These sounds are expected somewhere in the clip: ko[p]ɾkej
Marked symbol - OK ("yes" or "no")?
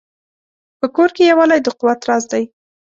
no